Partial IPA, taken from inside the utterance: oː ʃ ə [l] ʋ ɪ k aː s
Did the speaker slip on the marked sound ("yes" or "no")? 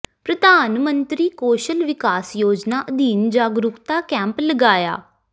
no